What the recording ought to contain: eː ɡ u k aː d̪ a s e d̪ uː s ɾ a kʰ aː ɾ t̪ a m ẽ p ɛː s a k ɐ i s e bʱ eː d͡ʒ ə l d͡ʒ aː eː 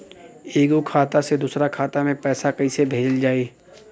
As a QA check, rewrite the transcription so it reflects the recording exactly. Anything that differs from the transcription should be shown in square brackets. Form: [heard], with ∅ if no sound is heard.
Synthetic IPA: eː ɡ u [kʰ] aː [t̪] a s e d̪ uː s ɾ a kʰ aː [∅] t̪ a m ẽ p ɛː s a k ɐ i s e bʱ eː d͡ʒ ə l d͡ʒ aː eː